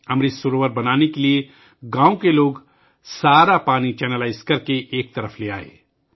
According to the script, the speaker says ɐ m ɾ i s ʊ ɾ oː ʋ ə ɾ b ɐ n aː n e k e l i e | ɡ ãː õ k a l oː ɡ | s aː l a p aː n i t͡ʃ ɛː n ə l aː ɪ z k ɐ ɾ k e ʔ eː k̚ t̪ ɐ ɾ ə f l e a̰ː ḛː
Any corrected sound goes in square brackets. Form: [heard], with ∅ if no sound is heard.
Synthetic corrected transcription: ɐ m ɾ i s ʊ ɾ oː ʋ ə ɾ b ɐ n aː n e k e l i e | ɡ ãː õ k [e] l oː ɡ | s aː [ɾ] a p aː n i t͡ʃ ɛː n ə l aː ɪ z k ɐ ɾ k e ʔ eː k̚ t̪ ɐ ɾ ə f l e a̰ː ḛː

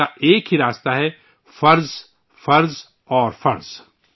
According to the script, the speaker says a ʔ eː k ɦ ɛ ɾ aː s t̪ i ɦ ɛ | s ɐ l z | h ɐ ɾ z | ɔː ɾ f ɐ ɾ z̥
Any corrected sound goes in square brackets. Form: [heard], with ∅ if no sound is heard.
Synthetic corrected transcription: a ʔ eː k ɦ [i] ɾ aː s t̪ [a] ɦ ɛ | [f] ɐ [ɾ] z | [f] ɐ ɾ z | ɔː ɾ f ɐ ɾ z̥

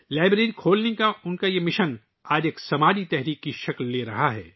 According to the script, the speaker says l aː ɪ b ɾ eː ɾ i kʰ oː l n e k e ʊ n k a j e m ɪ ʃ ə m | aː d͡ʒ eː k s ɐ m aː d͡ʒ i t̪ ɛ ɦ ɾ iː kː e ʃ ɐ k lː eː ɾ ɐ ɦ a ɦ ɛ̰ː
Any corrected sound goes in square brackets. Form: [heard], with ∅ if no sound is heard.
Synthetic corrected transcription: l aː ɪ b ɾ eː ɾ i kʰ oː l n e k [a] ʊ n k a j e m ɪ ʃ ə [n] | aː d͡ʒ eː k s ɐ m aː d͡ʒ i t̪ ɛ ɦ ɾ iː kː [i] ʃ ɐ k lː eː ɾ ɐ ɦ a ɦ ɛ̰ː

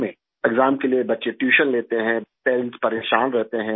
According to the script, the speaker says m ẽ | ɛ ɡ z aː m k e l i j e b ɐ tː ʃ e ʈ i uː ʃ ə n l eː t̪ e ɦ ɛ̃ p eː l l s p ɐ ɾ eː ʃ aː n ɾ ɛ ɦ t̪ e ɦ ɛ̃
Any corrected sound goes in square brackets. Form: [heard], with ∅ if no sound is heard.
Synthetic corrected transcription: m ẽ | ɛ ɡ z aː m k e l i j e b ɐ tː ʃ e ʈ [j] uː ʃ ə n l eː t̪ e ɦ ɛ̃ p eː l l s p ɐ ɾ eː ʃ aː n ɾ ɛ ɦ t̪ e ɦ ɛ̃

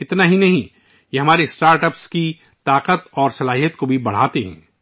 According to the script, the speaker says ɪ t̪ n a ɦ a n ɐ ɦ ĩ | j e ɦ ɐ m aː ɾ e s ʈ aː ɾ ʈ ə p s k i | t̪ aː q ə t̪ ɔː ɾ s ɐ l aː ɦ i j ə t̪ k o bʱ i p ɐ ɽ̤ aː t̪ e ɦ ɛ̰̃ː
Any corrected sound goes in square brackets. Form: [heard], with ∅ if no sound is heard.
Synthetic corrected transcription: ɪ t̪ n a ɦ [i] n ɐ ɦ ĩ | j e ɦ ɐ m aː ɾ e s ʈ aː ɾ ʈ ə p s k i | t̪ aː q ə t̪ ɔː ɾ s ɐ l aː ɦ i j ə t̪ k o bʱ i [b] ɐ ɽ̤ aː t̪ e ɦ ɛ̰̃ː

